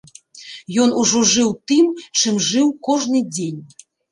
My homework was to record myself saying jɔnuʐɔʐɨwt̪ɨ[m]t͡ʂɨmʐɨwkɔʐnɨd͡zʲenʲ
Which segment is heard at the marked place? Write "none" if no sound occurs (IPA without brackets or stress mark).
m